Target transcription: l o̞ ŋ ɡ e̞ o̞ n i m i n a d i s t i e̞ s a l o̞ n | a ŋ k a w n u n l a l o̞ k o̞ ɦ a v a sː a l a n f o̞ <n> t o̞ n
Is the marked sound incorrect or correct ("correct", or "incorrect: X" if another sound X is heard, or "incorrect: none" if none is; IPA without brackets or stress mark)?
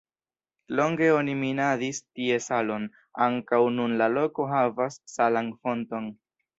correct